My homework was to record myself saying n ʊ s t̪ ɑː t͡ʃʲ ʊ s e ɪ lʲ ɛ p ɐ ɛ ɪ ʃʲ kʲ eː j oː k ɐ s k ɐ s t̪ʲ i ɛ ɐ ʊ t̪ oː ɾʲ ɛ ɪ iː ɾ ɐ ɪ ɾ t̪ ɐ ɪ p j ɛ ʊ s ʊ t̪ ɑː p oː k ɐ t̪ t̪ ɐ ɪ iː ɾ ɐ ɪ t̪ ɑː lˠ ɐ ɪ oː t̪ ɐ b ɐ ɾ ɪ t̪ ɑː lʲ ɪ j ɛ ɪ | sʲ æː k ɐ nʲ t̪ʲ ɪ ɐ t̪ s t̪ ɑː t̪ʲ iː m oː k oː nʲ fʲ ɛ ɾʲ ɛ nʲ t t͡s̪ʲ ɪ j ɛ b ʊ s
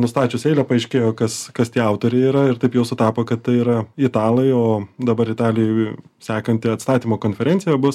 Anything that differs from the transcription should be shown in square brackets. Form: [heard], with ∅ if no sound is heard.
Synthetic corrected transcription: n ʊ s t̪ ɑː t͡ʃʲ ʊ s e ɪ lʲ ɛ p ɐ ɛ ɪ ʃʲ kʲ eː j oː k ɐ s k ɐ s t̪ʲ i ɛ ɐ ʊ t̪ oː ɾʲ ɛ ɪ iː ɾ ɐ ɪ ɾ t̪ ɐ ɪ p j ɛ ʊ s ʊ t̪ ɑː p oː k ɐ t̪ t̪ ɐ ɪ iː ɾ ɐ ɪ t̪ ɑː lˠ ɐ ɪ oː [d̪] ɐ b ɐ ɾ ɪ t̪ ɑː lʲ ɪ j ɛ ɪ | sʲ æː k ɐ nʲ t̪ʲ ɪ ɐ t̪ s t̪ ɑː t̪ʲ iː m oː k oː nʲ fʲ ɛ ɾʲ ɛ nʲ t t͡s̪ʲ ɪ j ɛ b ʊ s